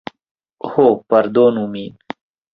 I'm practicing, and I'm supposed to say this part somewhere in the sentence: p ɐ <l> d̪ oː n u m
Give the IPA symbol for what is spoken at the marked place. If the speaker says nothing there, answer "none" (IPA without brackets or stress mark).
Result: ɾ